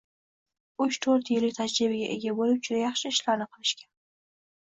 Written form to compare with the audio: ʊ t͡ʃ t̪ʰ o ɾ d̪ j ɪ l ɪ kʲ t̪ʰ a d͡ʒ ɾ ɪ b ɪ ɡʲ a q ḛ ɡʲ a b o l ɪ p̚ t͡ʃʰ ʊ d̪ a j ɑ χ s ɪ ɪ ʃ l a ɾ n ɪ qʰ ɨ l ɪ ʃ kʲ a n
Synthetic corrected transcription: ʊ t͡ʃ t̪ʰ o ɾ t̪ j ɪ l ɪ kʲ t̪ʰ a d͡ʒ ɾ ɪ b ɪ ɡʲ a ʔ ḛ ɡʲ a b o l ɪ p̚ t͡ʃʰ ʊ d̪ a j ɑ χ ʃ ɪ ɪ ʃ l a ɾ n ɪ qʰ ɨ l ɪ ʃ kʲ a n

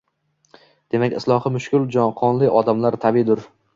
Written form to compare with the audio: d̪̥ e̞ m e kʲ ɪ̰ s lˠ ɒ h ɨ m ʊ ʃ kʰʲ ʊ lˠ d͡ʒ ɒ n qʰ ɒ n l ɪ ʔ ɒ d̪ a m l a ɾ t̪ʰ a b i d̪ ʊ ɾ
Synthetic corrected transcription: d̪̥ e̞ m a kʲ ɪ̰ s lˠ ɒ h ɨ m ʊ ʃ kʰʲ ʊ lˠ d͡ʒ ɒ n qʰ ɒ n l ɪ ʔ ɒ d̪ a m l a ɾ t̪ʰ a b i d̪ ʊ ɾ

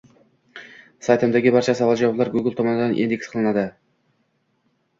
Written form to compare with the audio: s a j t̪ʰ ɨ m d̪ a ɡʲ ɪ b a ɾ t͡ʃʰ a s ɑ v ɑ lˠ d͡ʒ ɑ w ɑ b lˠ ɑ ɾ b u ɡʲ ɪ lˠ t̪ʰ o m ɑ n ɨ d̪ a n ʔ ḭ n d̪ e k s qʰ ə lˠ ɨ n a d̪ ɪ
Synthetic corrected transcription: s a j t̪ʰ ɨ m d̪ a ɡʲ ɪ b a ɾ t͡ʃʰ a s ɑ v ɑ lˠ d͡ʒ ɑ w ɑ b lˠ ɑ ɾ ɡ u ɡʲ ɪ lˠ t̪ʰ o m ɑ n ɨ d̪ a n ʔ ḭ n d̪ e k s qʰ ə lˠ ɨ n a d̪ ɪ

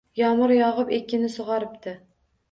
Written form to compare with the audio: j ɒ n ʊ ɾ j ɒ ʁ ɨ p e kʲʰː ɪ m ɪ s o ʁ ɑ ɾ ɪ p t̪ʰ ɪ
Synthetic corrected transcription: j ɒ m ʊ ɾ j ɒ ʁ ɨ p e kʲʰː ɪ n ɪ s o ʁ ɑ ɾ ɪ p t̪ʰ ɪ

